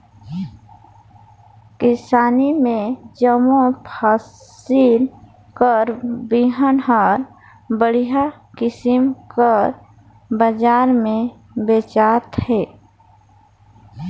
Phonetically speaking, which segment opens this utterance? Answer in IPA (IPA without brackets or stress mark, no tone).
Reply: k